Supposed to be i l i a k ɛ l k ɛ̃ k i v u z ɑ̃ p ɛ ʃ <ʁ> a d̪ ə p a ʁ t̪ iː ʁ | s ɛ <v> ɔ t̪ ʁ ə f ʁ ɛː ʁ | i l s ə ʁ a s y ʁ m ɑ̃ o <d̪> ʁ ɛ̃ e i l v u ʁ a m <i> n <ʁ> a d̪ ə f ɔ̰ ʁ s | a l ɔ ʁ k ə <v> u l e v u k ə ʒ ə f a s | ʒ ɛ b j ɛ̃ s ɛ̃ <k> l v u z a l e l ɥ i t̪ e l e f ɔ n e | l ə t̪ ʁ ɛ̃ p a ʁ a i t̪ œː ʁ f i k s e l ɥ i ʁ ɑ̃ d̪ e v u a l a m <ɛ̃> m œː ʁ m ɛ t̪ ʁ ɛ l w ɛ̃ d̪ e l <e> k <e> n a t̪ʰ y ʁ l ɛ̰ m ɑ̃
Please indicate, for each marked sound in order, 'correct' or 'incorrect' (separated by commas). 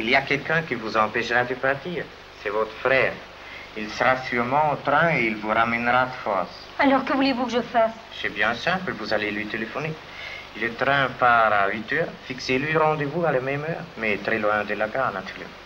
correct, correct, incorrect, incorrect, correct, correct, incorrect, incorrect, incorrect, incorrect